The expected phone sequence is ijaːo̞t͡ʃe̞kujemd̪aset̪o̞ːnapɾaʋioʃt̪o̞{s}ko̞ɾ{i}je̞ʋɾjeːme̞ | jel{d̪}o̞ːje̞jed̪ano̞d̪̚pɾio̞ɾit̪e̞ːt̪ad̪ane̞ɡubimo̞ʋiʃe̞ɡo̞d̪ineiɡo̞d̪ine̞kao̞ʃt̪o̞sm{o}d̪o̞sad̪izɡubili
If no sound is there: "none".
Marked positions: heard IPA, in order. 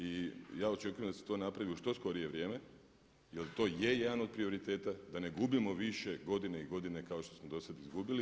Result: s, i, t̪, o

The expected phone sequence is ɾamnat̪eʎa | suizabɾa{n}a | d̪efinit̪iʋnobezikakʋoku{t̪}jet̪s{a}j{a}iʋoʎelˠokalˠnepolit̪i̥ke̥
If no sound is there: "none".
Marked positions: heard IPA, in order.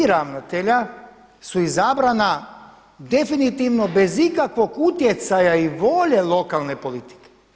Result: n, t̪, a, a

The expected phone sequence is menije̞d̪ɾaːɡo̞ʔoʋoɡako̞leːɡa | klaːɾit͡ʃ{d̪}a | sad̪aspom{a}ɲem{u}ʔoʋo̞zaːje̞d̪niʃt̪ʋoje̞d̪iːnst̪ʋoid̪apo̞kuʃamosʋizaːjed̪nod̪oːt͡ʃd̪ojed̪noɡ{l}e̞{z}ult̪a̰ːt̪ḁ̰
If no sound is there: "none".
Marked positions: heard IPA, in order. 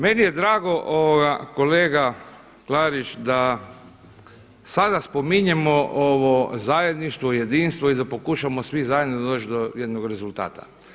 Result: d̪, i, o, ɾ, z

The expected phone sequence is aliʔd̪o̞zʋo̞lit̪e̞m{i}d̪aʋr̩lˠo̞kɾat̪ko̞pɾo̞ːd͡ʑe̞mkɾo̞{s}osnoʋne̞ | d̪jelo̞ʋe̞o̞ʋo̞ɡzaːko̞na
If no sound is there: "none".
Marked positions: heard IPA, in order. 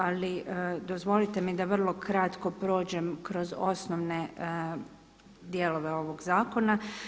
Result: i, z

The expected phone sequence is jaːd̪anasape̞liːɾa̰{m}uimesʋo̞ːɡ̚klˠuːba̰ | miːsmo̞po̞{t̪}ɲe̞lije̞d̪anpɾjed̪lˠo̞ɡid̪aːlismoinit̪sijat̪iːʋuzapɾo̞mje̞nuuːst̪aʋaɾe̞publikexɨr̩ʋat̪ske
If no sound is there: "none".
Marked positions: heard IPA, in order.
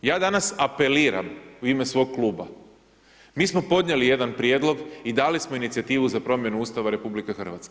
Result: m, d̪

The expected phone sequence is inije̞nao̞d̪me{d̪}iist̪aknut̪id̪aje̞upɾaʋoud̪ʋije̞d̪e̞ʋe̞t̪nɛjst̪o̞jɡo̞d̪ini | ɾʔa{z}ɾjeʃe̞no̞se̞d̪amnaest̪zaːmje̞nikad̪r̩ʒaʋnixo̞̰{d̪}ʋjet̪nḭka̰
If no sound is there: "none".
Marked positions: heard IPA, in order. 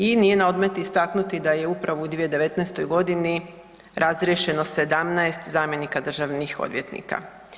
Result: t̪, z, d̪

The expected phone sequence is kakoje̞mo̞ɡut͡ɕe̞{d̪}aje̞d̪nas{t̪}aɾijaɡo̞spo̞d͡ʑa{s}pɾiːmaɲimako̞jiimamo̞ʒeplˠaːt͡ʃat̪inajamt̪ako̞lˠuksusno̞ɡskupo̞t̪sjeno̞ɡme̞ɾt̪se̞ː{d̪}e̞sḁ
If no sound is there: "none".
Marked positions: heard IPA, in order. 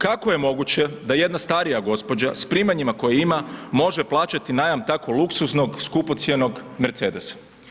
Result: d̪, t̪, s, d̪

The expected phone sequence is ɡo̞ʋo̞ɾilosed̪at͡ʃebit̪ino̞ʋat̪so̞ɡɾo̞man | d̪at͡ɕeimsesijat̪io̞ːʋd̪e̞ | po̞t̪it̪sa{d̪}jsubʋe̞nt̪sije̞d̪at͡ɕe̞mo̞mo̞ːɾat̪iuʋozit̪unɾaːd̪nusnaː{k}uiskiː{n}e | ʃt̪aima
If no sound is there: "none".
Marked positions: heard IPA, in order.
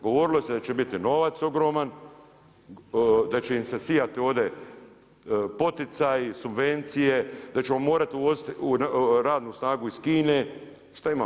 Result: none, ɡ, n

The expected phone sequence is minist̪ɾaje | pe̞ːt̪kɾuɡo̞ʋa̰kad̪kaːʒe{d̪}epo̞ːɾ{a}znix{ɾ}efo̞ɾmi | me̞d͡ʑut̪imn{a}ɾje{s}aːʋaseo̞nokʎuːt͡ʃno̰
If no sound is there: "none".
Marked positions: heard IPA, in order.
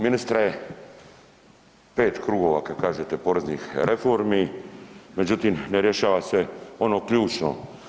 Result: t̪, e, ɾ, e, ʃ

